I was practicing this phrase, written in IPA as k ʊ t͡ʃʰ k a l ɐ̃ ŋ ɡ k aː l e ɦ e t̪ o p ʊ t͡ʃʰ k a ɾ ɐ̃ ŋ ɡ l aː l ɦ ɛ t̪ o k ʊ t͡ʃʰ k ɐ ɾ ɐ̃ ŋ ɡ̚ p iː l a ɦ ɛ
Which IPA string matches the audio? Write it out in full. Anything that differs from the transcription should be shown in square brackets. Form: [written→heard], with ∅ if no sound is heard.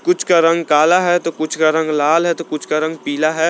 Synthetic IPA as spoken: k ʊ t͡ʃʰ k a [l→ɾ] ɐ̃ ŋ ɡ k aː l [e→a] ɦ [e→ɛ] t̪ o [p→k] ʊ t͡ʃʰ k a ɾ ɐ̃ ŋ ɡ l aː l ɦ ɛ t̪ o k ʊ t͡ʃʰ k [ɐ→a] ɾ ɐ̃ ŋ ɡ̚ p iː l a ɦ ɛ